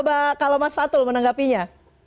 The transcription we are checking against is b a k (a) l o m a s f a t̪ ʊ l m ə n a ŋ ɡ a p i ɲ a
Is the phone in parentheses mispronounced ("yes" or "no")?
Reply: no